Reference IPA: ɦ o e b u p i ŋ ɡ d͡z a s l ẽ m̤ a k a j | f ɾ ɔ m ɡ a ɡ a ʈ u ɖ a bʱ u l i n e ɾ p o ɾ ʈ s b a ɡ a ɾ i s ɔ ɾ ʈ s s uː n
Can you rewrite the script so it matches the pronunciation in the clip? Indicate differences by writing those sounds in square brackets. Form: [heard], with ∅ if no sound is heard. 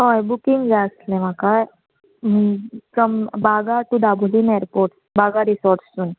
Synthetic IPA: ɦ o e b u [k] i ŋ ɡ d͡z a s l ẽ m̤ a k a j | f ɾ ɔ m [b] a ɡ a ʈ u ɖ a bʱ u l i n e ɾ p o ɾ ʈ s b a ɡ a ɾ i s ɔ ɾ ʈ s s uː n